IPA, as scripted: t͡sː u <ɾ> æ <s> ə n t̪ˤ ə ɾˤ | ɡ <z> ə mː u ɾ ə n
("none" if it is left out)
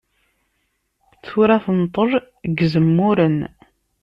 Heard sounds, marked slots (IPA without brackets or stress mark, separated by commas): ɾ, θ, z